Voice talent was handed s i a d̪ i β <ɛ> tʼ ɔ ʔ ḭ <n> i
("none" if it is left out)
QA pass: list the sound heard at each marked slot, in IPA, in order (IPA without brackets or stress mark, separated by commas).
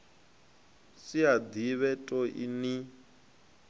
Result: ɛ, n